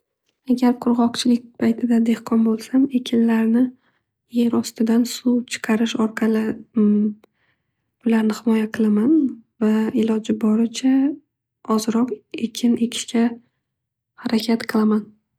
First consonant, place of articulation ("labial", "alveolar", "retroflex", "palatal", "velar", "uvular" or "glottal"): velar